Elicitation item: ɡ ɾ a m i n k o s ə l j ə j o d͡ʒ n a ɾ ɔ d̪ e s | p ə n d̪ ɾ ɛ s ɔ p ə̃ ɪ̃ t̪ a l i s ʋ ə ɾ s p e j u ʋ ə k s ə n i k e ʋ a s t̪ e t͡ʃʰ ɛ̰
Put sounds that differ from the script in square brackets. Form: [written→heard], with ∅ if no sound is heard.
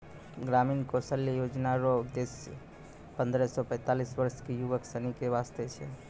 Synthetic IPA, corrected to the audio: ɡ ɾ a m i n k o s ə l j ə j o d͡ʒ n a ɾ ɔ d̪ e s | p ə n d̪ ɾ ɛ s ɔ p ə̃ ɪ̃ t̪ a l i s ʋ ə ɾ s [p→k] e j u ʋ ə k s ə n i k e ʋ a s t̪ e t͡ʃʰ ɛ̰